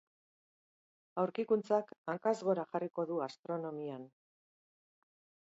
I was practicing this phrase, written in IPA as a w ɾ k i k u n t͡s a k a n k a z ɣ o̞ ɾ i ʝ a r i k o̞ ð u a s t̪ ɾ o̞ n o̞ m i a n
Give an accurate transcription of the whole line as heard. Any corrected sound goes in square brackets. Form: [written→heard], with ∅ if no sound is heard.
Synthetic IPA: a w ɾ k i k u n t͡s a k a [n→ŋ] k a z ɣ o̞ ɾ [i→a] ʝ a r i k o̞ ð u a s t̪ ɾ o̞ n o̞ m i a n